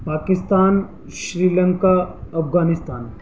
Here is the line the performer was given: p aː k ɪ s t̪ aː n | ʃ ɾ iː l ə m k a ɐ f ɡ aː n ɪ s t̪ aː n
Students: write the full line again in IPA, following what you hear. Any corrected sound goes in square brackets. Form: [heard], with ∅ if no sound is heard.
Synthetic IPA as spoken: p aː k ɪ s t̪ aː n | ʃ ɾ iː l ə [ŋ] k a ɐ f ɡ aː n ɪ s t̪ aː n